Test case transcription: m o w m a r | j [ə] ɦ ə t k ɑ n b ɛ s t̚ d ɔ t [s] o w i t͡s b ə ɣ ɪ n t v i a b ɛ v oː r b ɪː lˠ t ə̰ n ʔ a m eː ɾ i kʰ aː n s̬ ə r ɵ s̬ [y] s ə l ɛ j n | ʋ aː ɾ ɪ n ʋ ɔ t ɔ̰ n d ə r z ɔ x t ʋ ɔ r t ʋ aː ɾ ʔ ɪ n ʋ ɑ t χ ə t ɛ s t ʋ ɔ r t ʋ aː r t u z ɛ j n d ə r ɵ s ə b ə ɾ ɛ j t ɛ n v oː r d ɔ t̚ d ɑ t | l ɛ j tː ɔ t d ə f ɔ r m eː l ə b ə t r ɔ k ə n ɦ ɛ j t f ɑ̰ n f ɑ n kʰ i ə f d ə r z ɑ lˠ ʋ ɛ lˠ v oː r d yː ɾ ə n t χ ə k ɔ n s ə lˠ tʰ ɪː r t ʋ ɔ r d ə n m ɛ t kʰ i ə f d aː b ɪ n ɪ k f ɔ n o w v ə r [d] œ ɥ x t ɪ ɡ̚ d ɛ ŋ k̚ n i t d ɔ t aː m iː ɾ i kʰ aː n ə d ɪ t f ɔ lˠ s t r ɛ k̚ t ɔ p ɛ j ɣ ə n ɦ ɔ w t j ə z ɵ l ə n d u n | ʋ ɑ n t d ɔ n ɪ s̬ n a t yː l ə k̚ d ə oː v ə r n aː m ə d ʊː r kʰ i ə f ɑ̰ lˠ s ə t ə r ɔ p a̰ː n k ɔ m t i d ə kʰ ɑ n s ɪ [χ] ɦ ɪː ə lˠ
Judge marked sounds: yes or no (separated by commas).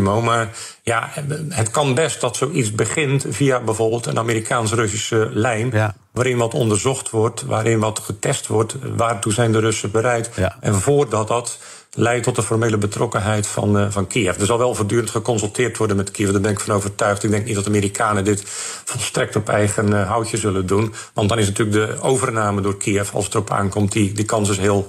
no, yes, no, no, no